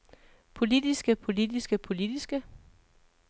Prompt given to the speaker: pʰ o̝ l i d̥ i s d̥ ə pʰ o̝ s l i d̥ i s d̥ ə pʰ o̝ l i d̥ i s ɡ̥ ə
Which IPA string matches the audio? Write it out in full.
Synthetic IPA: pʰ o̝ l i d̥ i s ɡ̥ ə pʰ o̝ l i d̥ i s ɡ̥ ə pʰ o̝ l i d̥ i s ɡ̥ ə

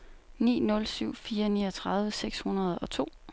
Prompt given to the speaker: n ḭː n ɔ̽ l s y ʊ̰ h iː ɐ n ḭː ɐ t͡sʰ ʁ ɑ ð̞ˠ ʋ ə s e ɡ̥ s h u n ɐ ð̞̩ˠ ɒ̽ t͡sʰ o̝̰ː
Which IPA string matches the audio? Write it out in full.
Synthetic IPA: n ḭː n ɔ̽ l s y ʊ̰ f iː ɐ n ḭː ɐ t͡sʰ ʁ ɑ ð̞ˠ ʋ ə s e ɡ̥ s h u n ɐ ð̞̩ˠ ɒ̽ t͡sʰ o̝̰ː

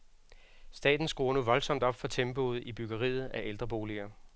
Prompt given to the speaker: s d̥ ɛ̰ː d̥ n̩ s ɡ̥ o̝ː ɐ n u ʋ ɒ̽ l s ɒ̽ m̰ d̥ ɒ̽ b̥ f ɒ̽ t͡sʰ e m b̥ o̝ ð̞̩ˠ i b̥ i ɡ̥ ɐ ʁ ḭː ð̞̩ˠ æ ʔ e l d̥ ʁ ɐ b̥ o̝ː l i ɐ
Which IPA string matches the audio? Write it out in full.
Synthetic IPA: s d̥ ɛ̰ː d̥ n̩ s ɡ̥ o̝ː ɐ n u ʋ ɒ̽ l s ɒ̽ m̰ d̥ ɒ̽ b̥ f ɒ̽ t͡sʰ e m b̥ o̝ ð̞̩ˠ i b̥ y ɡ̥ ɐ ʁ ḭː ð̞̩ˠ æ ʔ e l d̥ ʁ ɐ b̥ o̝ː l i ɐ

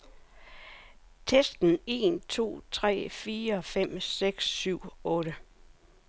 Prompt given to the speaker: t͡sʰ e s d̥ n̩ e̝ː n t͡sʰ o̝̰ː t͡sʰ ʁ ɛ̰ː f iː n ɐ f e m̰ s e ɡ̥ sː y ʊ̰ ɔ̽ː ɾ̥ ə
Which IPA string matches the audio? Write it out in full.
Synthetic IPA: t͡sʰ e s d̥ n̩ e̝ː n t͡sʰ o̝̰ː t͡sʰ ʁ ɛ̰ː f iː ɐ f e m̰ s e ɡ̥ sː y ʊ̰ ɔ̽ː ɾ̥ ə

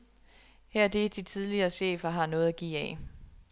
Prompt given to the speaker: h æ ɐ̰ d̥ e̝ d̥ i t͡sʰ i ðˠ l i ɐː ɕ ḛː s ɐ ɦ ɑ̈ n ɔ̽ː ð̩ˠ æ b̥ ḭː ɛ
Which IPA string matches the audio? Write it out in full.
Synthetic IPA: h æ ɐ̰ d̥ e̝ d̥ i t͡sʰ i ðˠ l i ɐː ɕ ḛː f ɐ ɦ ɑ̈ n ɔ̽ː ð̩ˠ æ ɡ̥ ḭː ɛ

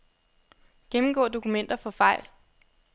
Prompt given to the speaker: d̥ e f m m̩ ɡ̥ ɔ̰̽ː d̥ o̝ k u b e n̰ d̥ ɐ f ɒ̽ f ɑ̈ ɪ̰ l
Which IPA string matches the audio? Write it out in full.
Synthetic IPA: ɡ̥ e m m̩ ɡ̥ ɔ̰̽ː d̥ o̝ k u m e n̰ d̥ ɐ f ɒ̽ f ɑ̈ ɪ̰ l

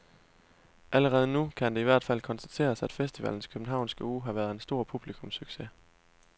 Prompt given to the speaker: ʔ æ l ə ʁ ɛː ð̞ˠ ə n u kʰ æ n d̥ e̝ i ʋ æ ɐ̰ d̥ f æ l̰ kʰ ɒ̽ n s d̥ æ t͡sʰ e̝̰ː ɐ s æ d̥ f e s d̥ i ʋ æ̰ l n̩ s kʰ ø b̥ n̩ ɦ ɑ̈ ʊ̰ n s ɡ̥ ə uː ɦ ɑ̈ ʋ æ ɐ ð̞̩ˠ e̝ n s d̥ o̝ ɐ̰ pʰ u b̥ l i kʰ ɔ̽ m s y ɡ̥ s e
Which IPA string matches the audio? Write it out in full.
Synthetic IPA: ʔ æ l ə ʁ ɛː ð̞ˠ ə n u kʰ æ n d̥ e̝ i ʋ æ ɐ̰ d̥ f æ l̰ kʰ ɒ̽ n s d̥ æ t͡sʰ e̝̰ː ɐ s æ d̥ f e s d̥ i ʋ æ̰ l n̩ s kʰ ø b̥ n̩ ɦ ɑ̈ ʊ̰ n s ɡ̥ ə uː ɦ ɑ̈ ʋ æ ɐ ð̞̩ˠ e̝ n s d̥ o̝ ɐ̰ pʰ u b̥ l i kʰ ɔ̽ m s y ɡ̥ s e

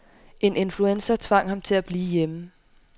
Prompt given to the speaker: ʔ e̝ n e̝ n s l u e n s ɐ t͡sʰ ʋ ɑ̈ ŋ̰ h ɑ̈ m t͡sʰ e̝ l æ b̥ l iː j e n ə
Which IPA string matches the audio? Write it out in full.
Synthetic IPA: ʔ e̝ n e̝ n f l u e n s ɐ t͡sʰ ʋ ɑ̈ ŋ̰ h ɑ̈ m t͡sʰ e̝ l æ b̥ l iː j e m ə

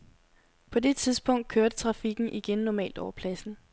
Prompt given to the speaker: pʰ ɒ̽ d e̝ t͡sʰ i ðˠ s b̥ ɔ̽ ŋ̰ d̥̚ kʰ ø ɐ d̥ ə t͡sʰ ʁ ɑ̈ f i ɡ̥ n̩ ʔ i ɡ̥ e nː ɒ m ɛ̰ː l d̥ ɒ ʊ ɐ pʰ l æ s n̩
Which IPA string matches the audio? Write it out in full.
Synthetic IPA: pʰ ɒ̽ d e̝ t͡sʰ i ðˠ s b̥ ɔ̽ ŋ̰ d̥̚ kʰ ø ɐ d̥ ə t͡sʰ ʁ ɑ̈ f i ɡ̥ n̩ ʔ i ɡ̥ e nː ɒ m ɛ̰ː l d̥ ɒ ʊ ɐ pʰ l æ s n̩

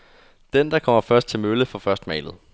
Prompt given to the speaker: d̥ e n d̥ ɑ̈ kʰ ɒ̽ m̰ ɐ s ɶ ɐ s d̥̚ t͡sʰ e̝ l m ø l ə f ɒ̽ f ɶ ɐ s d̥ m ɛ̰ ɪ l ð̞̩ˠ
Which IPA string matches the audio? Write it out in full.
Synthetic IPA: d̥ e n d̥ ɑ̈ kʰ ɒ̽ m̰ ɐ f ɶ ɐ s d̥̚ t͡sʰ e̝ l m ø l ə f ɒ̽ f ɶ ɐ s d̥ m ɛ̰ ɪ l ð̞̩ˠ

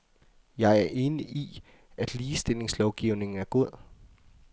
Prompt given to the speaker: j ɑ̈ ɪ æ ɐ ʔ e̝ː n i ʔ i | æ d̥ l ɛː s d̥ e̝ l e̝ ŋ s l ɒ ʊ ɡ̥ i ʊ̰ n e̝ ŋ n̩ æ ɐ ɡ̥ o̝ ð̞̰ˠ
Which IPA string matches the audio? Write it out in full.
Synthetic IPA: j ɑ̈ ɪ æ ɐ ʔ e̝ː n i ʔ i | æ d̥ l iː s d̥ e̝ l e̝ ŋ s l ɒ ʊ ɡ̥ i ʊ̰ n e̝ ŋ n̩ æ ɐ ɡ̥ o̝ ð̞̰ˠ

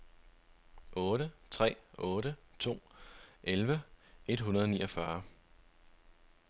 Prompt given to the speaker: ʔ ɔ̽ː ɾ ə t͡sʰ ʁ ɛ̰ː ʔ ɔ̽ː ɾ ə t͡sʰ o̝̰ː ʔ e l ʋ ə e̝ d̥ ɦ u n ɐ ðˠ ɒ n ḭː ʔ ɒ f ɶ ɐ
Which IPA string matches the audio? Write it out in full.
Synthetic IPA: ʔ ɔ̽ː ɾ ə t͡sʰ ʁ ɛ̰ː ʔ ɔ̽ː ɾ ə t͡sʰ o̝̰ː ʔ e l ʋ ə e̝ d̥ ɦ u n ɐ ðˠ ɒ n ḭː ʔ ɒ f ɶ ɐ

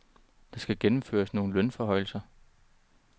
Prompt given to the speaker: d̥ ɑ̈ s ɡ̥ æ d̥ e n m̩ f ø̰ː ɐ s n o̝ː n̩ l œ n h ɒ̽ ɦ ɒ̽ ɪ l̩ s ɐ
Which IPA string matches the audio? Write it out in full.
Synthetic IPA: d̥ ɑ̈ s ɡ̥ æ ɡ̥ e n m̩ f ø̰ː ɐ s n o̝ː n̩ l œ n f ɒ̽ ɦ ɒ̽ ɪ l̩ s ɐ

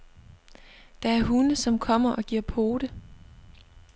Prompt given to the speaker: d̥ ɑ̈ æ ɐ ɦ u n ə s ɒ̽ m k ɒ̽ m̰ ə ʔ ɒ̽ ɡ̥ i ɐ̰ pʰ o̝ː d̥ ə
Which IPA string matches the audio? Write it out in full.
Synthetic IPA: d̥ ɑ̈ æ ɐ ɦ u n ə s ɒ̽ m kʰ ɒ̽ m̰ ɐ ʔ ɒ̽ ɡ̥ i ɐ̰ pʰ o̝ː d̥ ə

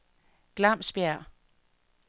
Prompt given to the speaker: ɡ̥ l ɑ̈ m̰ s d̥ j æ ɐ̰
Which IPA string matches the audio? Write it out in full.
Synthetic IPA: ɡ̥ l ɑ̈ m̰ s b̥ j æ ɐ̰

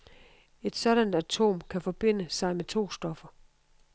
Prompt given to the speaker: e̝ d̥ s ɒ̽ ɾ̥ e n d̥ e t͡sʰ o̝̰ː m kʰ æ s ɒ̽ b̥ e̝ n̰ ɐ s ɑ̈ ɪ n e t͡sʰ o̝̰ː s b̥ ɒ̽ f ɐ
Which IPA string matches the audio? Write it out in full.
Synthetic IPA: e̝ d̥ s ɒ̽ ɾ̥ æ n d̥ æ t͡sʰ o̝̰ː m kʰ æ f ɒ̽ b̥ e̝ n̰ ə s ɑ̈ ɪ m e t͡sʰ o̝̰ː s d̥ ɒ̽ f ɐ

